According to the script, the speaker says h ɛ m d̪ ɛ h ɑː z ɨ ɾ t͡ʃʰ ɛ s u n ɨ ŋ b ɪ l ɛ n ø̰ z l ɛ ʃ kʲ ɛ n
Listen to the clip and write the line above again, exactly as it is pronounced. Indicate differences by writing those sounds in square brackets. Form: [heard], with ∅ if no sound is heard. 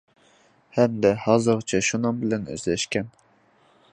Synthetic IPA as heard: h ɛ m d̪ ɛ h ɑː z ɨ ɾ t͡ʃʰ ɛ [ʃ] u n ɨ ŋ b ɪ l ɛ n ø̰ z l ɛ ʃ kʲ ɛ n